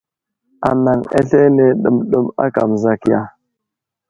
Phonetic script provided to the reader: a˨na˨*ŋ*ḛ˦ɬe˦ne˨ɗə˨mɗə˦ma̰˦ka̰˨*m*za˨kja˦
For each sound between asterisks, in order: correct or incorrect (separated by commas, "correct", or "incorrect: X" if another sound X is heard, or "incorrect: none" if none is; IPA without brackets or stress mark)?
correct, correct